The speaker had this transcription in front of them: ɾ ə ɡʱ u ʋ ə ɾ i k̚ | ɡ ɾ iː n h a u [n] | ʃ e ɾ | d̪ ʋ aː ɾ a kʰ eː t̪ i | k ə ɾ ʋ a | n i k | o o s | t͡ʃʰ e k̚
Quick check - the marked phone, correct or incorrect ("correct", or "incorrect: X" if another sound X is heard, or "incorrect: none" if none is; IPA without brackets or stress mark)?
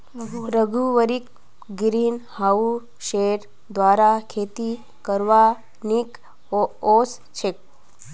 incorrect: none